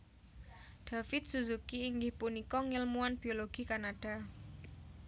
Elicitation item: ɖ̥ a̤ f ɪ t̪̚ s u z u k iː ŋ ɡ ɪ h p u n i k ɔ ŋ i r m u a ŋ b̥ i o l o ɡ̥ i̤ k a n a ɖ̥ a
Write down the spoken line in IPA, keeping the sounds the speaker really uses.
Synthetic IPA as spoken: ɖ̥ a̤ f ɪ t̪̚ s u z u k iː ŋ ɡ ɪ h p u n i k ɔ ŋ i l m u a n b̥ i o l o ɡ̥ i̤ k a n a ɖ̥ a